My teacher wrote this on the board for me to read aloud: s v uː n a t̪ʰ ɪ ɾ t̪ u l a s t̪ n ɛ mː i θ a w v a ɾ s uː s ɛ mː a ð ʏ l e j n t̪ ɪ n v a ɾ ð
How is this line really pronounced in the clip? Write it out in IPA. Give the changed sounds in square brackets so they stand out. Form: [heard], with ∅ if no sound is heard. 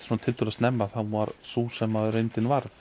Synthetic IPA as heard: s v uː n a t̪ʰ ɪ [l] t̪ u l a s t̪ n ɛ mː [a] θ a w v a ɾ s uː s ɛ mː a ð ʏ [ɾ] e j n t̪ ɪ n v a ɾ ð

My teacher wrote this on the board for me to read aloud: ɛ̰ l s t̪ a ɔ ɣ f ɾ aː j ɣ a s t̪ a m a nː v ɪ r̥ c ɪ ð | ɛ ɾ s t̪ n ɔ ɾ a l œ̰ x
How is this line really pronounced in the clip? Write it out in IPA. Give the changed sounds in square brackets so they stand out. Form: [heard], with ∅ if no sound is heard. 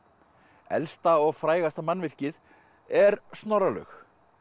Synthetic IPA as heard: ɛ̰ l s t̪ a ɔ ɣ f ɾ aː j ɣ a s t̪ a m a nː v ɪ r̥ c ɪ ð | ɛ ɾ s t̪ n ɔ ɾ a l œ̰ x

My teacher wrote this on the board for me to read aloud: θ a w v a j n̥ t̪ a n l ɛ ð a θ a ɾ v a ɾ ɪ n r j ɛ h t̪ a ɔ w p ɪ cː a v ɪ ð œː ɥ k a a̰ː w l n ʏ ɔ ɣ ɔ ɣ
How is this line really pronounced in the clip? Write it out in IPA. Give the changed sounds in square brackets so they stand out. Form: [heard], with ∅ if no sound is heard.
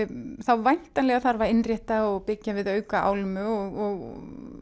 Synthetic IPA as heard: θ a w v a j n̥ t̪ a n l ɛ [ɣ] a θ a ɾ v a ɾ ɪ n r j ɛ h t̪ a ɔ [ɣ] p ɪ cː a v ɪ ð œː ɥ k a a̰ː w l [m] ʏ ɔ ɣ ɔ ɣ

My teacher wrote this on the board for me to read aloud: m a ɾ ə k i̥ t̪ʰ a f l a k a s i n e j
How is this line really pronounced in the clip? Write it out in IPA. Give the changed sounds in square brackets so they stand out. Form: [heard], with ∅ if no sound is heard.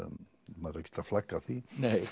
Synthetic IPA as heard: m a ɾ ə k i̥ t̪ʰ a f l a k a [θ] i n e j

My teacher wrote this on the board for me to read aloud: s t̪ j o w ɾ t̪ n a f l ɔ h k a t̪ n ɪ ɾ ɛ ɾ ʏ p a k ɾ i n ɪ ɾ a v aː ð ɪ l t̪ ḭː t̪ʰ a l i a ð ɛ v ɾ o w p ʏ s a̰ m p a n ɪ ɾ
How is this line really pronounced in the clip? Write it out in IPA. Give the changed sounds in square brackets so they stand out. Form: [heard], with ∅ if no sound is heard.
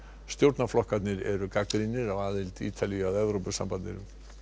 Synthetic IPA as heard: s t̪ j o w ɾ t̪ n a f l ɔ h k a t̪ n ɪ ɾ ɛ ɾ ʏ [k] a k ɾ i n ɪ ɾ a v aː ð ɪ l t̪ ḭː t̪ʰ a l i a ð ɛ v ɾ o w p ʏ s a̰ m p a n ɪ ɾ

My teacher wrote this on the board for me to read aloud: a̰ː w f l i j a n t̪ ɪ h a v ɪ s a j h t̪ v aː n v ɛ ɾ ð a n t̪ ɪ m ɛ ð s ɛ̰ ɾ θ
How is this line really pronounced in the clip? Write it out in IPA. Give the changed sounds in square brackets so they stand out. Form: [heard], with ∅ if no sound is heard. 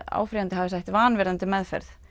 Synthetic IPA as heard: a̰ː w f [ɾ] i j a n t̪ ɪ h a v ɪ s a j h t̪ v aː n v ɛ ɾ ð a n t̪ ɪ m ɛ ð [f] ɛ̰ ɾ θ

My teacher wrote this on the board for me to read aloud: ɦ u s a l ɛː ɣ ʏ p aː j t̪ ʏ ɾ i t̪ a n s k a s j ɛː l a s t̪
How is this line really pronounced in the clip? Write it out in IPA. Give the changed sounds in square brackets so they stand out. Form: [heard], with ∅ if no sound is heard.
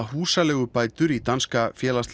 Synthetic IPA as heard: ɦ [uː] s a l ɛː ɣ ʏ p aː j t̪ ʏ ɾ i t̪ a n s k a [f] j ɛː l a s t̪

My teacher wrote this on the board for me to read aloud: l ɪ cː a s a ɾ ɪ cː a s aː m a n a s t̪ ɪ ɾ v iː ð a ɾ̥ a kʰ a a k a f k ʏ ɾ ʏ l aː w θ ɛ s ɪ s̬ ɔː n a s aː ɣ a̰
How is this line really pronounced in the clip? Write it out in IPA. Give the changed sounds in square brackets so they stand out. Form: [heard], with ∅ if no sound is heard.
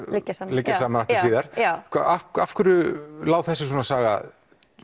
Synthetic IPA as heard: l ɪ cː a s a [l] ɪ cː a s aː m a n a [f] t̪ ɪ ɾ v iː ð a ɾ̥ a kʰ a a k a f k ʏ ɾ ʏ l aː w θ ɛ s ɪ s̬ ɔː n a s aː ɣ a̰

